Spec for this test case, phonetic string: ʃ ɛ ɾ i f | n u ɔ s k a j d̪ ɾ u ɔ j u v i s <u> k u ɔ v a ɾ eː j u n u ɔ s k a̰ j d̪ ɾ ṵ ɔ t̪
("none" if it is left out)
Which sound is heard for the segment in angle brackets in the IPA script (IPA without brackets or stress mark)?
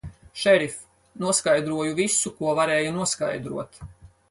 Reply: u